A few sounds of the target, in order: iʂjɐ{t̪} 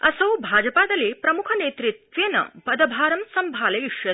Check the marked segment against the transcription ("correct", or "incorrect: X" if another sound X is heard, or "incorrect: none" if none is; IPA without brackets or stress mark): incorrect: none